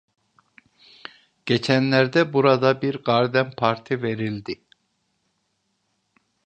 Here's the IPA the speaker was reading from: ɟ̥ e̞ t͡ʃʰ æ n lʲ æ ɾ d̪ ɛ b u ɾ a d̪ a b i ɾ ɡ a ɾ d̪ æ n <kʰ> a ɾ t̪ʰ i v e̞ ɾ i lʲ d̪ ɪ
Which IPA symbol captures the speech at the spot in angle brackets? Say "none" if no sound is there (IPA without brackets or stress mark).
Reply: pʰ